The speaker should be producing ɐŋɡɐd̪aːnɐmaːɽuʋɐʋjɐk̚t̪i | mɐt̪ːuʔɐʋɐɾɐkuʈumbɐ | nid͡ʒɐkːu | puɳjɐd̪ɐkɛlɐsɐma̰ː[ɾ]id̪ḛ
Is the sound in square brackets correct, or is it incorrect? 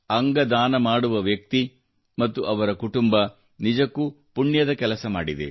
incorrect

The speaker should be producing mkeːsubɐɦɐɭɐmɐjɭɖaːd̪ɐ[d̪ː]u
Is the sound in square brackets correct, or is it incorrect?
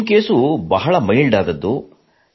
correct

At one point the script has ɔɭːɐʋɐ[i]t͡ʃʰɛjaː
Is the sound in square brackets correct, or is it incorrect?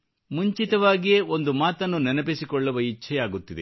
correct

